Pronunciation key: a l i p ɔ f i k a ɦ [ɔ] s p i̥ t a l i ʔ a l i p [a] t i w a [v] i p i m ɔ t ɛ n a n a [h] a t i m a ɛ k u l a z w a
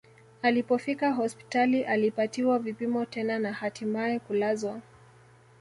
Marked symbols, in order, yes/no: yes, yes, yes, yes

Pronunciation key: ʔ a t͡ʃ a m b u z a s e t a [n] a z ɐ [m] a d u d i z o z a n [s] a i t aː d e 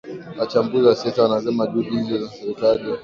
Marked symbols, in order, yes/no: yes, yes, yes

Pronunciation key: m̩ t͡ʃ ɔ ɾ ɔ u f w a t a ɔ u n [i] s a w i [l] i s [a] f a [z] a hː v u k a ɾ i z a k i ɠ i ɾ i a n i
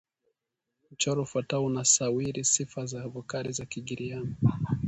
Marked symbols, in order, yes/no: no, no, no, yes

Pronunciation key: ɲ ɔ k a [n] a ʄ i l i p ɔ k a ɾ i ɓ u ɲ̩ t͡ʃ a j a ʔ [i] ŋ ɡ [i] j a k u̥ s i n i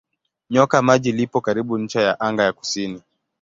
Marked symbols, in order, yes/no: no, no, no

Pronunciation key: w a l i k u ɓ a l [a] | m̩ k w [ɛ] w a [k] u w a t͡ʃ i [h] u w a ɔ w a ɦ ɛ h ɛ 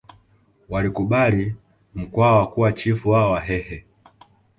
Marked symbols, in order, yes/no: no, no, yes, no

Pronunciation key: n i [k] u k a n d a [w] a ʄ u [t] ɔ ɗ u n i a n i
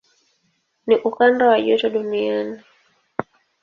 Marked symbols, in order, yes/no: no, yes, yes

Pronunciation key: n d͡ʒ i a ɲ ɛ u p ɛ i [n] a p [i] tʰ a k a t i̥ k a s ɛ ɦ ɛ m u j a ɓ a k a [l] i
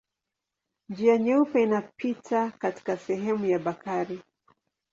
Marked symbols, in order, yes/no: yes, yes, no

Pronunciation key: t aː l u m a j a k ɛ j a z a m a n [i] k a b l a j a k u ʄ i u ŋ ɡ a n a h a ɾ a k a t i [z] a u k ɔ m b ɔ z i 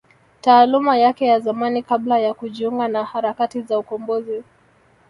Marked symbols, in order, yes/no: yes, yes

